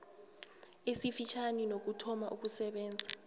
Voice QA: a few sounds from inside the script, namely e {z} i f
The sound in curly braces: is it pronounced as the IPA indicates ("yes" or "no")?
no